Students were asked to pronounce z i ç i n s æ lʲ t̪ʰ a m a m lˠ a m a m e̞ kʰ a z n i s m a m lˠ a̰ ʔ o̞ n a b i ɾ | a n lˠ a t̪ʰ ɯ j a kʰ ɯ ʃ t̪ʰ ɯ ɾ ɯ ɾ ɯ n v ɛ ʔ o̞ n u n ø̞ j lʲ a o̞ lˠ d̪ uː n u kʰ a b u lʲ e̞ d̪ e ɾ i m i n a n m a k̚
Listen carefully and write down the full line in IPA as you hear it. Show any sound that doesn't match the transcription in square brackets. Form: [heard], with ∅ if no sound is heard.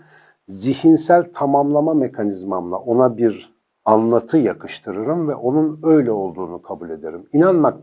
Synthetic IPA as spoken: z i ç i n s æ lʲ t̪ʰ a m a m lˠ a m a m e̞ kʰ a [∅] n i [z] m a m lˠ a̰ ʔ o̞ n a b i ɾ | a n lˠ a t̪ʰ ɯ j a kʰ ɯ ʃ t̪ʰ ɯ ɾ ɯ ɾ ɯ [m] v ɛ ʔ o̞ n u n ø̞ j lʲ [ɛ] o̞ lˠ d̪ uː n u kʰ a b u lʲ e̞ d̪ e ɾ i m i n a n m a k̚